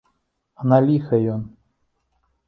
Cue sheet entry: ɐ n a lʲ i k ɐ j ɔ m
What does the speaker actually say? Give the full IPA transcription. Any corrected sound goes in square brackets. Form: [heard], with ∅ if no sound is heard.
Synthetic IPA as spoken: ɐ n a lʲ i [x] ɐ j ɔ [n]